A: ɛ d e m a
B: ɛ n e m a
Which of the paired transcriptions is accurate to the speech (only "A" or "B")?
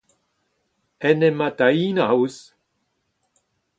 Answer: B